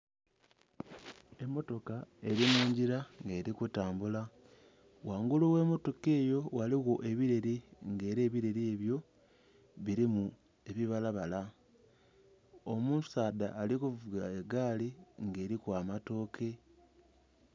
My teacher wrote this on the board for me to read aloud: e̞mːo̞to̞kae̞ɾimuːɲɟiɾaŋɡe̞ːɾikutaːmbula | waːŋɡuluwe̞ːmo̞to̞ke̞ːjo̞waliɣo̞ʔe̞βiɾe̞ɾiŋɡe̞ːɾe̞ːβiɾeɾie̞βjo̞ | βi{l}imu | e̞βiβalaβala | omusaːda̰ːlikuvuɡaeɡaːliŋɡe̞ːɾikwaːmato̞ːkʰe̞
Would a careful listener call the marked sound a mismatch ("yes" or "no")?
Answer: yes